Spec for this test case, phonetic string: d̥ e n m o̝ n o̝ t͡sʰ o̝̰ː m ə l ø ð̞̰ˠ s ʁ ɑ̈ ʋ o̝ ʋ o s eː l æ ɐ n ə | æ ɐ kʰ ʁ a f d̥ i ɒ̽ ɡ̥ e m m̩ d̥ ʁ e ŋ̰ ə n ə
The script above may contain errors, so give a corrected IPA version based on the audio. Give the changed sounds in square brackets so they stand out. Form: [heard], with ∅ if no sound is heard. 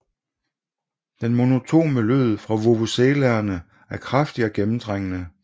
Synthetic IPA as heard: d̥ e n m o̝ n o̝ t͡sʰ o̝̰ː m ə l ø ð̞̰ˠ [f] ʁ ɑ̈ ʋ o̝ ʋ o s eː l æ ɐ n ə | æ ɐ kʰ ʁ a f d̥ i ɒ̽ ɡ̥ e m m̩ d̥ ʁ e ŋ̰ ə n ə